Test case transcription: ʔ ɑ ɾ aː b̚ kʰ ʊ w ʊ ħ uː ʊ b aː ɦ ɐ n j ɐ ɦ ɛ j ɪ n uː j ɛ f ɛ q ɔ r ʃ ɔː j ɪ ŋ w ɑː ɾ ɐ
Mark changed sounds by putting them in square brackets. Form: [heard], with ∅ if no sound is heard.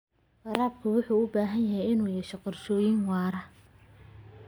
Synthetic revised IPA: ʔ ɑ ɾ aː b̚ kʰ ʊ w ʊ ħ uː ʊ b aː ɦ ɐ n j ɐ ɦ ɛ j ɪ n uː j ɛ [ʃ] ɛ q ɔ r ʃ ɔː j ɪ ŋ w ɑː ɾ ɐ